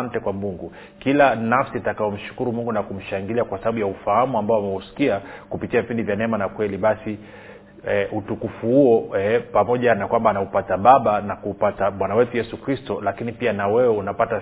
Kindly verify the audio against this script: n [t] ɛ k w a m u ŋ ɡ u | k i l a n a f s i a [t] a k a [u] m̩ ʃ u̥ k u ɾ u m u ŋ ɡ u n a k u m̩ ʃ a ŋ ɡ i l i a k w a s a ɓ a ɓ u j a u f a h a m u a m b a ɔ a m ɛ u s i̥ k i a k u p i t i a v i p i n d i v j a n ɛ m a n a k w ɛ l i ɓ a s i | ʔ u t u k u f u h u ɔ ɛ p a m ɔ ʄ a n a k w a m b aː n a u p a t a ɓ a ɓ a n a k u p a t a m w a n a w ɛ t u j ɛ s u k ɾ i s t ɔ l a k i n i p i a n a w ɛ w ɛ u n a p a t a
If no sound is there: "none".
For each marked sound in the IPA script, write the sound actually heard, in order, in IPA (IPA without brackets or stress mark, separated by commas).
t, t, ɔ